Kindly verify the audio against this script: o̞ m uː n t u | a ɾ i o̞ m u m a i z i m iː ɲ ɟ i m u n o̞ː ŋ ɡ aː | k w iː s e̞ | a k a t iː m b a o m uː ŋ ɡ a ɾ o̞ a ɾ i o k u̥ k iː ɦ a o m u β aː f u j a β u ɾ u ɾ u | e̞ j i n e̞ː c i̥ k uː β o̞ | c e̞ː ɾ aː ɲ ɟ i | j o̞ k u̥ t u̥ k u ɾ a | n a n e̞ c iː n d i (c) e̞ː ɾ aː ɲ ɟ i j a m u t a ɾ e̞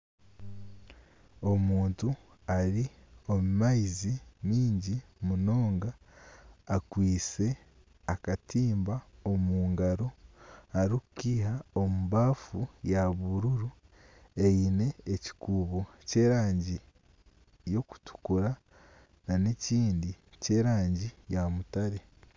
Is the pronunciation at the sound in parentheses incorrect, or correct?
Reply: correct